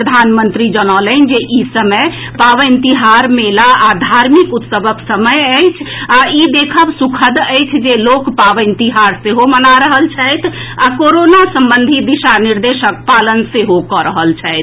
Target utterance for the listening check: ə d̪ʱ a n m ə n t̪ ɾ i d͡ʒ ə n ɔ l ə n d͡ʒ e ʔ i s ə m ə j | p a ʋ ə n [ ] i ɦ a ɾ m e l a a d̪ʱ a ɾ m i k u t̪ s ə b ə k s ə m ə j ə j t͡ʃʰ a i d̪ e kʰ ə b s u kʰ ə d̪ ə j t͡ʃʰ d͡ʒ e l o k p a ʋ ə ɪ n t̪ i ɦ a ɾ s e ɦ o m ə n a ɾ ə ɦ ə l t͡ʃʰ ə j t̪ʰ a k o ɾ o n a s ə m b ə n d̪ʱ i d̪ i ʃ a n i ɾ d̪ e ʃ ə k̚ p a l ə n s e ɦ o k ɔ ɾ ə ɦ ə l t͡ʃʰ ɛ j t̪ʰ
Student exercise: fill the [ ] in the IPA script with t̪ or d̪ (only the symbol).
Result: t̪